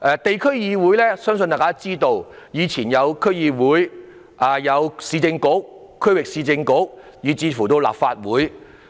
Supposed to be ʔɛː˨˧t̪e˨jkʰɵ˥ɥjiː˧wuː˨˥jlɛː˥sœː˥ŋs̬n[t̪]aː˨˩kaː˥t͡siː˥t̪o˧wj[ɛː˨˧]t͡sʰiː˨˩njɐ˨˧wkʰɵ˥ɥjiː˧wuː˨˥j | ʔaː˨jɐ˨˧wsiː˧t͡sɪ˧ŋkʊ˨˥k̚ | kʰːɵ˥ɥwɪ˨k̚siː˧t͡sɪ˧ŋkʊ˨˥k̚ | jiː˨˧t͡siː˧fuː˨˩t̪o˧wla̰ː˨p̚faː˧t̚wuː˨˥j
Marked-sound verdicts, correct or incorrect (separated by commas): correct, incorrect